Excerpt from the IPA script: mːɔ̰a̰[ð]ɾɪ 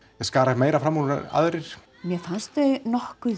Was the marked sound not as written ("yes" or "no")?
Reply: no